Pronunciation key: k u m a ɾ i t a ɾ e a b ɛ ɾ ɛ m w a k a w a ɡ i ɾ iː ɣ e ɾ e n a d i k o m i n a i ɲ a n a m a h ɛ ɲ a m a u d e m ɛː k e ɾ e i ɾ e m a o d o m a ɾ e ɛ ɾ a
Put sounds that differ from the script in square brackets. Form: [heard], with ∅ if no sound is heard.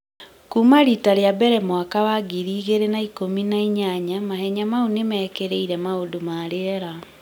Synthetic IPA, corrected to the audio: k u m a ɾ i t a ɾ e a b ɛ ɾ ɛ m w a k a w a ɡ i ɾ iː ɣ e ɾ e n a [∅] i k o m i n a i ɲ a [ɲ] a m a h ɛ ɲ a m a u [n] e m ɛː k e ɾ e i ɾ [ɛ] m a o d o m a ɾ e ɛ ɾ a